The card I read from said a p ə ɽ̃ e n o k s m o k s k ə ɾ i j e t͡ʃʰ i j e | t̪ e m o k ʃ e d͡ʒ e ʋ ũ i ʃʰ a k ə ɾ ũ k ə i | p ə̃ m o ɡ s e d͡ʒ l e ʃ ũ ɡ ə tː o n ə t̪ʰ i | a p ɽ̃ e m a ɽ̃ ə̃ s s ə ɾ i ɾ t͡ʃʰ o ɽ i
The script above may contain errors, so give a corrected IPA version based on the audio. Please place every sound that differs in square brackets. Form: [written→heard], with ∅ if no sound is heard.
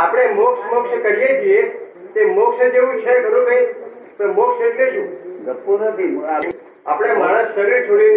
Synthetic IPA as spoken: a p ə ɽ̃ e [n→m] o k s m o k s k ə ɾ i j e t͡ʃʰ i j e | t̪ e m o k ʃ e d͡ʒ e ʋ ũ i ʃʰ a k ə ɾ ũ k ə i | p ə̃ m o [ɡ→k] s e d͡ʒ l e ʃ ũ ɡ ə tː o n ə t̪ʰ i | a p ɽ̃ e m a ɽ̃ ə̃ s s ə ɾ i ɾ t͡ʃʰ o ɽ i